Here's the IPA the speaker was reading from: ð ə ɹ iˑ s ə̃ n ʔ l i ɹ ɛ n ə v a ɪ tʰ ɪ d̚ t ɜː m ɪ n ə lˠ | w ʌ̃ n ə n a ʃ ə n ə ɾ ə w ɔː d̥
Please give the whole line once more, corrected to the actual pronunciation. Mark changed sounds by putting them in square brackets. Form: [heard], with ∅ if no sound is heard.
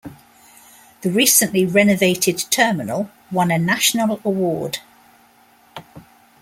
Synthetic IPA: ð ə ɹ iˑ s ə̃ n ʔ l i ɹ ɛ n ə v [e] ɪ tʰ ɪ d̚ [tʰ] ɜː m ɪ n ə lˠ | w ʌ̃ n ə n a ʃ ə n ə [l] ə w ɔː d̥